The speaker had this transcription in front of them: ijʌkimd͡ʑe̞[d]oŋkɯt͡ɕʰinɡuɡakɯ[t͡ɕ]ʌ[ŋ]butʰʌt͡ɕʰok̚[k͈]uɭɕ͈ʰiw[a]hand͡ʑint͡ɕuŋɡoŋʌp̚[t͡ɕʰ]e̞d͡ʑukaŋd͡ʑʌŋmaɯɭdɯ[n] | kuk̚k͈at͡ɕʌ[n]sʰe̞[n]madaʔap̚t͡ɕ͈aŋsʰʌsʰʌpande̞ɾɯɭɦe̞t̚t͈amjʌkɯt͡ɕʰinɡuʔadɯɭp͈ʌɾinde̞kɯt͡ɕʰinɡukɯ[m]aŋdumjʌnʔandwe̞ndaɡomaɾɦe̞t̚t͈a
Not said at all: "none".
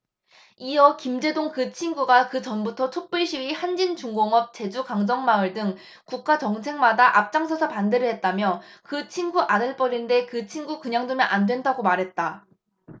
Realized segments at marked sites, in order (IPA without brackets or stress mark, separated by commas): d, t͡ɕ, n, p͈, i, t͡ɕ, ŋ, ŋ, ŋ, ɲ